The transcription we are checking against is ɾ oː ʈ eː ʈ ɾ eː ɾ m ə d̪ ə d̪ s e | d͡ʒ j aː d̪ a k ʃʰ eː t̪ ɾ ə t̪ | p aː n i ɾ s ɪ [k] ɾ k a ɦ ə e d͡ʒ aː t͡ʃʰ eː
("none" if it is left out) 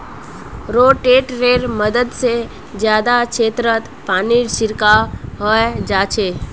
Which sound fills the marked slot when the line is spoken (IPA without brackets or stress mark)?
none